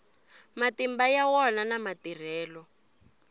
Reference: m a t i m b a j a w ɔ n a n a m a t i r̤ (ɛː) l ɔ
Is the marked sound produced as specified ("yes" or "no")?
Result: yes